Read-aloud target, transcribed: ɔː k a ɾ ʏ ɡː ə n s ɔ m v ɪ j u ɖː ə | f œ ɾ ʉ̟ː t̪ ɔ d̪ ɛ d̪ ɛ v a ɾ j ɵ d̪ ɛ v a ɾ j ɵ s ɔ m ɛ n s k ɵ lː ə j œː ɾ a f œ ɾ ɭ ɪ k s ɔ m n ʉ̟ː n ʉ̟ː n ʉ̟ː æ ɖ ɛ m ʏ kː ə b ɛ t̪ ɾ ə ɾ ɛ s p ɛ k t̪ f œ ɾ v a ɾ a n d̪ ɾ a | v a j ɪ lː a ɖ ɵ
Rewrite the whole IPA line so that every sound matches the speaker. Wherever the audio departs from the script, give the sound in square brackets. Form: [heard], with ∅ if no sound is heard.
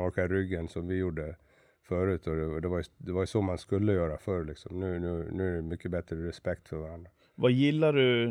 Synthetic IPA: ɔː k a ɾ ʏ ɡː ə n s ɔ m v ɪ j u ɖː ə | f œ ɾ ʉ̟ː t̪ ɔ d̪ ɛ d̪ ɛ v a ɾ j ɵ d̪ ɛ v a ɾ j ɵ s ɔ m [a] n s k ɵ lː ə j œː ɾ a f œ ɾ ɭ ɪ k s ɔ m n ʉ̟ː n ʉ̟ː n ʉ̟ː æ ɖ ɛ m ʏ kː ə b ɛ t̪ ɾ ə ɾ ɛ s p ɛ k t̪ f œ ɾ v a ɾ a n d̪ ɾ a | v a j ɪ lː a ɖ ɵ